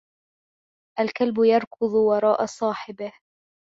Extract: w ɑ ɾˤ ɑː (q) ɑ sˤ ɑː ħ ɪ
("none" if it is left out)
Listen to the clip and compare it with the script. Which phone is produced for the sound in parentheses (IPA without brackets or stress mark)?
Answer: ʔ